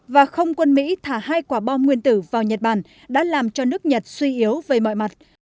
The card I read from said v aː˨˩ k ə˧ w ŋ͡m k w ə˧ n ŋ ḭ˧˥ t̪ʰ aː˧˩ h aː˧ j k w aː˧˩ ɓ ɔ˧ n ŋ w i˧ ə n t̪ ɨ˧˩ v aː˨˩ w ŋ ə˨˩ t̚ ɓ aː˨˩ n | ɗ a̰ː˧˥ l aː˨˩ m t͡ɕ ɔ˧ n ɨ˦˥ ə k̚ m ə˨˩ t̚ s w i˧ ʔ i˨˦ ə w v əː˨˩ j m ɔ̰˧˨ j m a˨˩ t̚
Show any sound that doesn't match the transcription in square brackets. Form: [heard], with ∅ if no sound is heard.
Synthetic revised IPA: v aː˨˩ [x] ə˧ w ŋ͡m k w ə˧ n [m] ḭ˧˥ t̪ʰ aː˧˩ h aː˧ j k w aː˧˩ ɓ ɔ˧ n ŋ w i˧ ə n t̪ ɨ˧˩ v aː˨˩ w [ɲ] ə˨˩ t̚ ɓ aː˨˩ n | ɗ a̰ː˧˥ l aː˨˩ m t͡ɕ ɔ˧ n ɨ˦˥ ə k̚ [ɲ] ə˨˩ t̚ s w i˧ ʔ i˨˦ ə w v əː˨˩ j m ɔ̰˧˨ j m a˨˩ t̚